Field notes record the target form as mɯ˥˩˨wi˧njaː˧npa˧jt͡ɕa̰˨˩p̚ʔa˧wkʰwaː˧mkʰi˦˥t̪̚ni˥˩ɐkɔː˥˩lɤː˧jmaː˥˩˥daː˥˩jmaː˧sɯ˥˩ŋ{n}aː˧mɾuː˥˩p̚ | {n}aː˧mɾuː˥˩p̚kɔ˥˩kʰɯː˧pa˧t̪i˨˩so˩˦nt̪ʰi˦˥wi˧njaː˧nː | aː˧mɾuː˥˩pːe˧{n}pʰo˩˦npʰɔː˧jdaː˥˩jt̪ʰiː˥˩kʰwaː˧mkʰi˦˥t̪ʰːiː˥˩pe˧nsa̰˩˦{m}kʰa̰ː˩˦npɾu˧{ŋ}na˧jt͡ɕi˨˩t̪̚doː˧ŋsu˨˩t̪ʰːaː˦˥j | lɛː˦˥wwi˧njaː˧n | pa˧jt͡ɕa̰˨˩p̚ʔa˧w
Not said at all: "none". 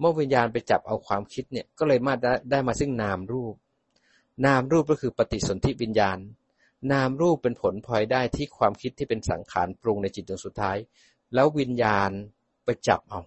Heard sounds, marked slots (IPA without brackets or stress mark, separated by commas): n, n, n, ŋ, ŋ